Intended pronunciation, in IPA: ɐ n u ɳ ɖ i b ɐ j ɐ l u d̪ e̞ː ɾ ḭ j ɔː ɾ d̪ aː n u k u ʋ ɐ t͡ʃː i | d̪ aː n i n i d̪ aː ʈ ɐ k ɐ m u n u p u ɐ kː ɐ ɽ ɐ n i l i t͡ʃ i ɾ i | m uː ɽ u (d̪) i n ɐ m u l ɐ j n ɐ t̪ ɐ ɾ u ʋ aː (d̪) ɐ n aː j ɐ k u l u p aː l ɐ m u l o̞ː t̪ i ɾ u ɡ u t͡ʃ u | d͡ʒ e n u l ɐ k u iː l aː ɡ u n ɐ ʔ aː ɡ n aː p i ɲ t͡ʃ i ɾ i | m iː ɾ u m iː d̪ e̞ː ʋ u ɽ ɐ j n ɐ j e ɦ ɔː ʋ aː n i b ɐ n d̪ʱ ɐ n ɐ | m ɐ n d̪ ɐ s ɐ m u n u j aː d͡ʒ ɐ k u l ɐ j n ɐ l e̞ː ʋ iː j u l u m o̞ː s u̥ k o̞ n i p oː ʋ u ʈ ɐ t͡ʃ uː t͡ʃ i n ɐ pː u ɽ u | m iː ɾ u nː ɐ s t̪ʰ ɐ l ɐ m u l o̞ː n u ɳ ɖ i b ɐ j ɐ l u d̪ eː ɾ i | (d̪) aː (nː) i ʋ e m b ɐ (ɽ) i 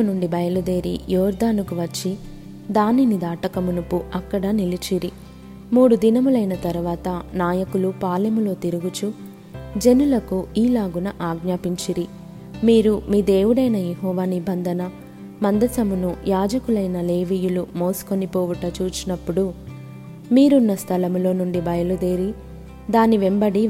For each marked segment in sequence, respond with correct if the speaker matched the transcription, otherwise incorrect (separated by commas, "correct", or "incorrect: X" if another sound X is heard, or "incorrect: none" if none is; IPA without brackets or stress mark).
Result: correct, incorrect: t̪, correct, incorrect: n, correct